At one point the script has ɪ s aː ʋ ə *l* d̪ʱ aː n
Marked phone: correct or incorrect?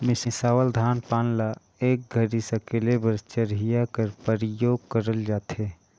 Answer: correct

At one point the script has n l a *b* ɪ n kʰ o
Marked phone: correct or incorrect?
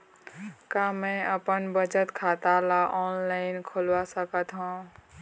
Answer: incorrect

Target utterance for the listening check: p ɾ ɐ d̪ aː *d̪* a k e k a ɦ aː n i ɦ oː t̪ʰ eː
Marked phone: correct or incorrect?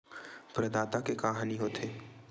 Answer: incorrect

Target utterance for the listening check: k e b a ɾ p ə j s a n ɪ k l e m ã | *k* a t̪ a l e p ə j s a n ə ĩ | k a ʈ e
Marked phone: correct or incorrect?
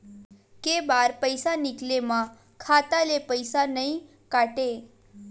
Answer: incorrect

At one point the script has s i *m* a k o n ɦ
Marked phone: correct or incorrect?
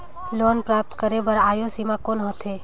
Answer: correct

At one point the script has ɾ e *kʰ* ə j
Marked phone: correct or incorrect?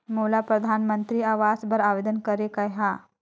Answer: incorrect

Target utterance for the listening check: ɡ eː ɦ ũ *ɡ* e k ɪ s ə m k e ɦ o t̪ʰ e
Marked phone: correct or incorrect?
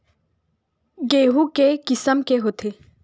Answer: incorrect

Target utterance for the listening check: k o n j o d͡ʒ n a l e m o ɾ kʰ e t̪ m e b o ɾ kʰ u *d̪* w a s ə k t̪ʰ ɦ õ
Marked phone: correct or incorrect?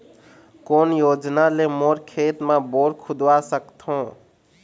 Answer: correct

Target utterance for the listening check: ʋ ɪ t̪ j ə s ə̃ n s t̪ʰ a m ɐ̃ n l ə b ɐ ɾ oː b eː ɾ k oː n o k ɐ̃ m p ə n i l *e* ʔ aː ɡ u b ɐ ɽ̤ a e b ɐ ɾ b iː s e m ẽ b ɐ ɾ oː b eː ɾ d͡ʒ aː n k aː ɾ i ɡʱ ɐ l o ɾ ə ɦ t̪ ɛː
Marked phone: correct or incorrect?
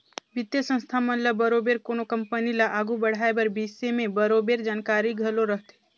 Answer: incorrect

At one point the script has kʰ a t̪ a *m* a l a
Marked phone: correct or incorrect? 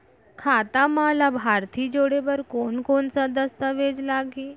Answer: correct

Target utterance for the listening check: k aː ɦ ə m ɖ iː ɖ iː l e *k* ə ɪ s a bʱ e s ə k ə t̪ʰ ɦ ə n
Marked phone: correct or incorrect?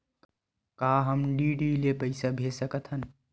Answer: incorrect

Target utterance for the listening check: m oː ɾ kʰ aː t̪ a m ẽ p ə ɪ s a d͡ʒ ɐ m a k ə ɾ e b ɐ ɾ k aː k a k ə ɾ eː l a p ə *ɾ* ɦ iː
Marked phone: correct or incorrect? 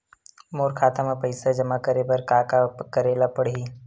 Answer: incorrect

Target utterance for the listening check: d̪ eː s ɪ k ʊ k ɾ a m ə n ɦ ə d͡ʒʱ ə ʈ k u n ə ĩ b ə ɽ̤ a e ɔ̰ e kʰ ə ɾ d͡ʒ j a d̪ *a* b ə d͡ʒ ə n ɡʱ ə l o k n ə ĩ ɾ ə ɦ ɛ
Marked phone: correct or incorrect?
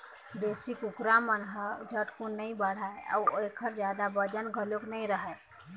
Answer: correct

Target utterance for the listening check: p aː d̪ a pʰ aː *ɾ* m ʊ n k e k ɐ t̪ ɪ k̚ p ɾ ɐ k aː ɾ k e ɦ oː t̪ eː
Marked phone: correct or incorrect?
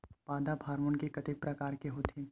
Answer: correct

